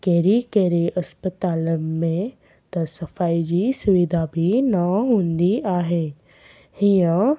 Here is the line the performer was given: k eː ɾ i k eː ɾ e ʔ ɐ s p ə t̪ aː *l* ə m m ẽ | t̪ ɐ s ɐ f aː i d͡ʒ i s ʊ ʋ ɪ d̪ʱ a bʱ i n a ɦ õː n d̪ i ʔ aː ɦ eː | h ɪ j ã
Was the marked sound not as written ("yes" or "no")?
no